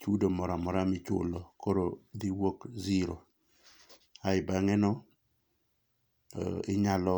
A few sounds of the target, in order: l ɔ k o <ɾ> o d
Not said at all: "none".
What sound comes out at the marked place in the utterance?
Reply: ɾ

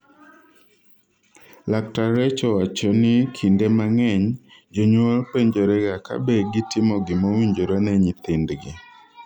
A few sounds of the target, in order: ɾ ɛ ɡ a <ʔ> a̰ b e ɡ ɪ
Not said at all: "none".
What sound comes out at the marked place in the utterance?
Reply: k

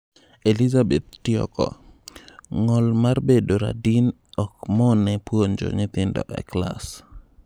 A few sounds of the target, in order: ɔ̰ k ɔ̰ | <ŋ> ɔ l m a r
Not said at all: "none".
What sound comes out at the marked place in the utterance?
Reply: ŋ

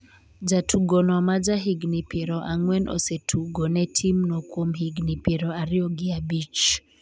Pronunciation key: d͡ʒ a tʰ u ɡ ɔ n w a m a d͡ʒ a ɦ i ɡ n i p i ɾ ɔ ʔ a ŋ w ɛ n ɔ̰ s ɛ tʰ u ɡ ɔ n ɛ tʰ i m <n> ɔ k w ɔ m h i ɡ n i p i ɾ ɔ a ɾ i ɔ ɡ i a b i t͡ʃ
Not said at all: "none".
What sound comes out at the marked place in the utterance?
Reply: n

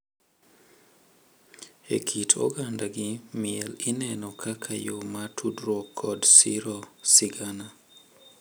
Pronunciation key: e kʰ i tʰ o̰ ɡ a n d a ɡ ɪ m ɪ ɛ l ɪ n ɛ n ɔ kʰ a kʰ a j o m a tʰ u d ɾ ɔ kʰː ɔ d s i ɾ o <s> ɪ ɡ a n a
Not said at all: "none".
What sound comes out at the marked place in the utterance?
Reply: s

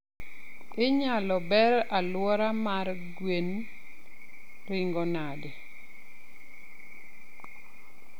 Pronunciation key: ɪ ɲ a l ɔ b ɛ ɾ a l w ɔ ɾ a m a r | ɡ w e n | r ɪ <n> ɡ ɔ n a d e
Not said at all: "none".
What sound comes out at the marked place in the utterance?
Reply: ŋ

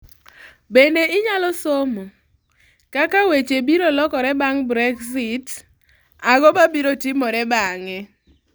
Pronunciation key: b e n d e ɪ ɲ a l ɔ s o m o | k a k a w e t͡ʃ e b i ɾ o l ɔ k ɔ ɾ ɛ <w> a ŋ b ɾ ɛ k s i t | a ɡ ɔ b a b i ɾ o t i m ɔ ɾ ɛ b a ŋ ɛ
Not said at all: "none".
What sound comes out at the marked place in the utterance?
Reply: b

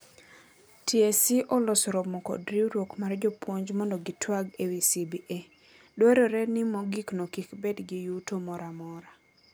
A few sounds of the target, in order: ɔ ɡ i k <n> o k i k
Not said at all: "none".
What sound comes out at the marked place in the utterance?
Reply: n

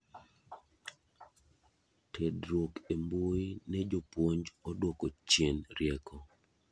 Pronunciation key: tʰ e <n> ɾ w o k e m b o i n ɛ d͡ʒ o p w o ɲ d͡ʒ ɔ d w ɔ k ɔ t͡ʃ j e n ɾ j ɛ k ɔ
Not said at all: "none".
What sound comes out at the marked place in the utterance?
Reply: d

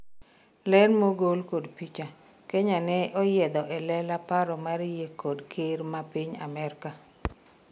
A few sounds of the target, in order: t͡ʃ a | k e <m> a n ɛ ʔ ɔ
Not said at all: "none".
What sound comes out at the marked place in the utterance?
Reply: ɲ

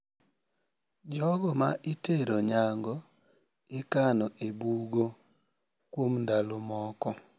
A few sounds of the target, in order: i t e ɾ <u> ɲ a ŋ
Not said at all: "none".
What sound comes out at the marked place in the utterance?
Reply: o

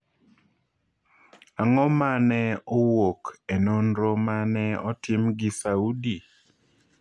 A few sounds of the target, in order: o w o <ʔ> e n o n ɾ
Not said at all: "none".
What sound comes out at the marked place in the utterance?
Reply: k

